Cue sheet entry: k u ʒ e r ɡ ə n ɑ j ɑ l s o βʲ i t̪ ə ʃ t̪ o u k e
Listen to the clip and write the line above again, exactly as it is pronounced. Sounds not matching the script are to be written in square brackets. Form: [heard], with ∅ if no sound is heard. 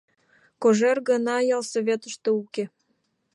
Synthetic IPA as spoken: k [o] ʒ e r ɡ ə n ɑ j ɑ l s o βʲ [e] t̪ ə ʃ t̪ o u k e